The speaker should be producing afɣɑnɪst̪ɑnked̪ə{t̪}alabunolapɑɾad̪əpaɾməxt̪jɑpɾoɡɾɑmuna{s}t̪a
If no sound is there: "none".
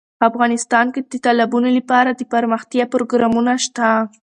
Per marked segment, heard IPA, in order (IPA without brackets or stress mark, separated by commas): t̪, ʃ